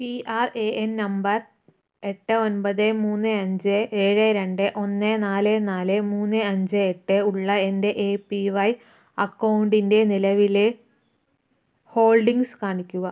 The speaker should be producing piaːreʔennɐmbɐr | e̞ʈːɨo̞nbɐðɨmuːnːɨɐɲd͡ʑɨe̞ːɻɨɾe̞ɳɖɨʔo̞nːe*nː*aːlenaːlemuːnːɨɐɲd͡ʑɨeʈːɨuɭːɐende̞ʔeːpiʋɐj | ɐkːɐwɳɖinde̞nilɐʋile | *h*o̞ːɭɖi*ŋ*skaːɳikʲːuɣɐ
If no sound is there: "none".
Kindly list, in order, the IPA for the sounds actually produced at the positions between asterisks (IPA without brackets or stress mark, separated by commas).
n, h, ŋ